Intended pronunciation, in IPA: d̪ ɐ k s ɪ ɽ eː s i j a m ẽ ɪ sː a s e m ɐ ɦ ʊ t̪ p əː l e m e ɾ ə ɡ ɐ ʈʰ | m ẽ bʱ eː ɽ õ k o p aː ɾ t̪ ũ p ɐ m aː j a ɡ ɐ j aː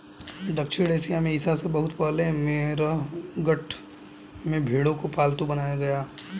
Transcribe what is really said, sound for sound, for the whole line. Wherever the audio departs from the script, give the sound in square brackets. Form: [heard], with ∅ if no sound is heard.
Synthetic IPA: d̪ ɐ k [ʃ] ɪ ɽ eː s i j a m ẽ ɪ [s] a s e [b] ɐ ɦ ʊ t̪ p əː l e m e ɾ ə ɡ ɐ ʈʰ | m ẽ bʱ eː ɽ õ k o p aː [l] t̪ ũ [b] ɐ [n] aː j a ɡ ɐ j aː